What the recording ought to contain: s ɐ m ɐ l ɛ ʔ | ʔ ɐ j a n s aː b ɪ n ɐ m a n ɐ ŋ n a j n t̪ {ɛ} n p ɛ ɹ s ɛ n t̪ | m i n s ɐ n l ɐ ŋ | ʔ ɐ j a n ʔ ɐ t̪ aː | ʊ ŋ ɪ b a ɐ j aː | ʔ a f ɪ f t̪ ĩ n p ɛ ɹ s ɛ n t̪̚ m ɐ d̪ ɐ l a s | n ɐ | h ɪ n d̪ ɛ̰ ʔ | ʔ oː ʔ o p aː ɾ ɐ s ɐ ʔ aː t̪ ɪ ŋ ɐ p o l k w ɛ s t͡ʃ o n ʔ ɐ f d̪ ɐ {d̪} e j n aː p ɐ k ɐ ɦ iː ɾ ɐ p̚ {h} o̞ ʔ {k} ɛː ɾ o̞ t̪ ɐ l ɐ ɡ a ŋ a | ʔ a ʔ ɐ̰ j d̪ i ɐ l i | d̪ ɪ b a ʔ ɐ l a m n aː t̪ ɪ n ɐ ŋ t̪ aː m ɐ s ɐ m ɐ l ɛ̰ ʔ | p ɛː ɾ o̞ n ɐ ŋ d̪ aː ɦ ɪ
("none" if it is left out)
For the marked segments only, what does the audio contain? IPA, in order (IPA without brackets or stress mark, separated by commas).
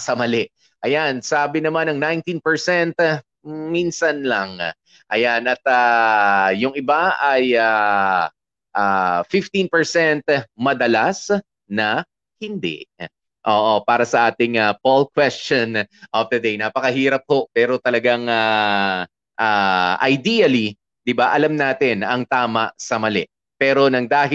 i, d̪, h, p